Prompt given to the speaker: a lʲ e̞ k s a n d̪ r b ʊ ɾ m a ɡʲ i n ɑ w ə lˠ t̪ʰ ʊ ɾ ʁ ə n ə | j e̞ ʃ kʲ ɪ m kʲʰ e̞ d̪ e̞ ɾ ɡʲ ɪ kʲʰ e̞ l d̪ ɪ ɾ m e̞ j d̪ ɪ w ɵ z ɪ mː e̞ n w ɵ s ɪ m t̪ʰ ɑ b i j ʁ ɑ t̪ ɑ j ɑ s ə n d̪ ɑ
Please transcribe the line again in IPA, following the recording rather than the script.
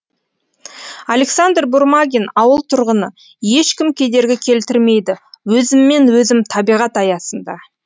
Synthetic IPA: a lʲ e̞ k s a n d̪ r b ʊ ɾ m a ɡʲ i n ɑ w ə lˠ t̪ʰ ʊ ɾ ʁ ə n ə | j e̞ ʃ kʲ ɪ m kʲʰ e̞ d̪ e̞ ɾ ɡʲ ɪ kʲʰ e̞ l t̪ ɪ ɾ m e̞ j d̪ ɪ w ɵ z ɪ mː e̞ n w ɵ z ɪ m t̪ʰ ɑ b i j ʁ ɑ t̪ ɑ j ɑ s ə n d̪ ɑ